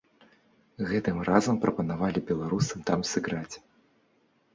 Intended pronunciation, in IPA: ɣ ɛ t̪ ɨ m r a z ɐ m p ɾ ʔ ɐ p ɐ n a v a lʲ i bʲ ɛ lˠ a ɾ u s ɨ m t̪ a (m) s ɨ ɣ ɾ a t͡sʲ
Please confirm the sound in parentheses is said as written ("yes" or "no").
yes